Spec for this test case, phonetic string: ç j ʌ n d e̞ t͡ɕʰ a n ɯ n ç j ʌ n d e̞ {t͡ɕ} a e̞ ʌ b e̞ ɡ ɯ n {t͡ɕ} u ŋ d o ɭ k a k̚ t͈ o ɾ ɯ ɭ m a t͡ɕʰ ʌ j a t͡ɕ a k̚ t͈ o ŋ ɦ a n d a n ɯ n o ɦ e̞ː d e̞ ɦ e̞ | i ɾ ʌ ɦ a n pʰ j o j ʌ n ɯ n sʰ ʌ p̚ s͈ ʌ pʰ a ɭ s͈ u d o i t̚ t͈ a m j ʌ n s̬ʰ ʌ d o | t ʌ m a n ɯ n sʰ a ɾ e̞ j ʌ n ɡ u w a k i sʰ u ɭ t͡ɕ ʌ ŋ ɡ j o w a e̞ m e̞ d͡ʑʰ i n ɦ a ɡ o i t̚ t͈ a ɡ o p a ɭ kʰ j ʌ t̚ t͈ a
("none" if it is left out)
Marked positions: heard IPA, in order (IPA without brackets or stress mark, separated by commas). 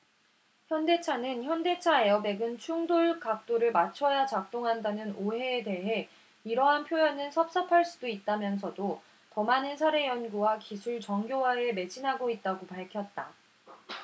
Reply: t͡ɕʰ, t͡ɕʰ